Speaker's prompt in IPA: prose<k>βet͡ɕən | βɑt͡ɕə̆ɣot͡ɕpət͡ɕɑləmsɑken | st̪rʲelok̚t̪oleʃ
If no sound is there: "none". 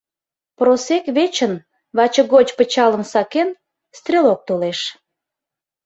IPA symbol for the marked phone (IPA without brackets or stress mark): k